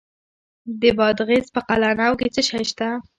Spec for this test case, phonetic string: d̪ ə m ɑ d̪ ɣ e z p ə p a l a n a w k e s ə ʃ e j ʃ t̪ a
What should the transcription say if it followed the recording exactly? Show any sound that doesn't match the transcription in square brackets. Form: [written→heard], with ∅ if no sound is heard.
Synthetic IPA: d̪ ə [m→b] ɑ d̪ ɣ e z p ə [p→q] a l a n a w k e [s→t͡s] ə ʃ [e→a] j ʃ t̪ a